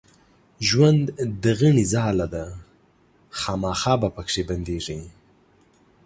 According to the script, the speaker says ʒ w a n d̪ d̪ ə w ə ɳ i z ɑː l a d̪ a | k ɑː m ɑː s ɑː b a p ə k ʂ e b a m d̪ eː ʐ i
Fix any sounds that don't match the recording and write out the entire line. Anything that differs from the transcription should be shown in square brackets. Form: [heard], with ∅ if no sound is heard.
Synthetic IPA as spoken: ʒ w a n d̪ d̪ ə [ɣ] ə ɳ i z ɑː l a d̪ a | [x] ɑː m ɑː [x] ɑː b a p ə k ʂ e b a [n] d̪ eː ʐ i